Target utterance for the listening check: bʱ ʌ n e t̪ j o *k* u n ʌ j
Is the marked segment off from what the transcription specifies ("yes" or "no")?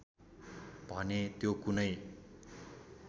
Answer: no